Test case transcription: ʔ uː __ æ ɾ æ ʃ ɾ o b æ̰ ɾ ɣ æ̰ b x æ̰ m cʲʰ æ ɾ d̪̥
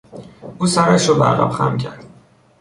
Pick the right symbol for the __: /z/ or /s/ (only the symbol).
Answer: s